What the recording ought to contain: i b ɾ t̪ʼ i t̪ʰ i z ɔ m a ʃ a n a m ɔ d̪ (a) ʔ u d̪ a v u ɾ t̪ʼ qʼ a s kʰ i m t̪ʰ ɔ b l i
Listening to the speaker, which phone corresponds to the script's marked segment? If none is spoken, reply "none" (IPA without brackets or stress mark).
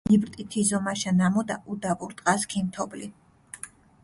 a